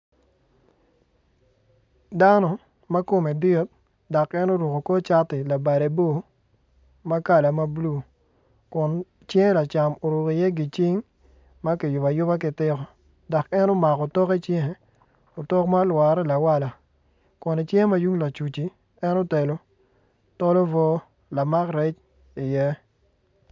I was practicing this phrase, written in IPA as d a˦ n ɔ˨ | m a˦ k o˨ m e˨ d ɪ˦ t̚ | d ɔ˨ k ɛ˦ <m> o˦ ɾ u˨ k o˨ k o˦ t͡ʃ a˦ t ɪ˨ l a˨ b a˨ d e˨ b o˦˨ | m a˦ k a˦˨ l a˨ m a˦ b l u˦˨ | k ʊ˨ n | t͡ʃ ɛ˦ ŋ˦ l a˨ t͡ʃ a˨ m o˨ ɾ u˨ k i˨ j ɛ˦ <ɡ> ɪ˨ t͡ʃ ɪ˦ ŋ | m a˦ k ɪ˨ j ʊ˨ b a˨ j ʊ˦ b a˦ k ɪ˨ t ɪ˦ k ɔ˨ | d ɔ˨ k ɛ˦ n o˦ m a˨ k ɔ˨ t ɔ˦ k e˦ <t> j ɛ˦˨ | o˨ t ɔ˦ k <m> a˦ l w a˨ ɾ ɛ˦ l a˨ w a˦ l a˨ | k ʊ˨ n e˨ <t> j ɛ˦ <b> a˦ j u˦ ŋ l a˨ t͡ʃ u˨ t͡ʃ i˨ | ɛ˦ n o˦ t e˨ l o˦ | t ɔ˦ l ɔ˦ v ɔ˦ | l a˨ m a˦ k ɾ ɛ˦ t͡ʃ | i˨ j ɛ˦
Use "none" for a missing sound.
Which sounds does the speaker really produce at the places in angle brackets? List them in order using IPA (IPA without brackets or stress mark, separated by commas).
n, ɡ, t͡ʃ, m, t͡ʃ, m